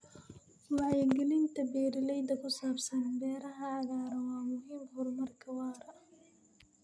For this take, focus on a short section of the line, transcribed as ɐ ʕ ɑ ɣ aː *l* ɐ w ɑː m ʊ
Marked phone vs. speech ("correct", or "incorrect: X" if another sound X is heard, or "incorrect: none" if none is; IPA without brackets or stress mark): incorrect: ɾ